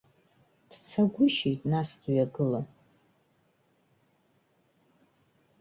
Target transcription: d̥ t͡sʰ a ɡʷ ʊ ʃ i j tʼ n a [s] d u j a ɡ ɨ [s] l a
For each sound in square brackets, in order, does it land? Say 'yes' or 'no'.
yes, no

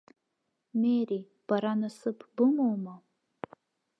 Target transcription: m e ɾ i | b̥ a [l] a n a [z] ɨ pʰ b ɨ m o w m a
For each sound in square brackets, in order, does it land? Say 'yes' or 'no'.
no, no

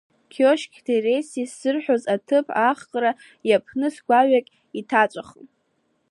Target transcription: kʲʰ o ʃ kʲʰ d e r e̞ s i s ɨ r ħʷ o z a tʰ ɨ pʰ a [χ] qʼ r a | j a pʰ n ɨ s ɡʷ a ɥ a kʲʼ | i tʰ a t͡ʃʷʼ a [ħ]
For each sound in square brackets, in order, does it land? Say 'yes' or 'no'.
yes, no

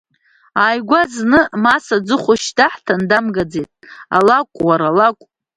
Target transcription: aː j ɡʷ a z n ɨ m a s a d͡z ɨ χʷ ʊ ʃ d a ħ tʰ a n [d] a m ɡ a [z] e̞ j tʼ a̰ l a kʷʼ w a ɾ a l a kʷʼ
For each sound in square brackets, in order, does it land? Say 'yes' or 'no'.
yes, no

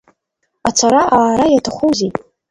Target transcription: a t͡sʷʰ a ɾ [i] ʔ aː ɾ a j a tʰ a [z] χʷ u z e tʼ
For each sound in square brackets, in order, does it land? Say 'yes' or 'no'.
no, no

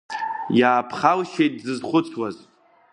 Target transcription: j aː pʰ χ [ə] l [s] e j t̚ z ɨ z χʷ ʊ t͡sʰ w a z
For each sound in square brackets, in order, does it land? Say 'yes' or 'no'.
no, no

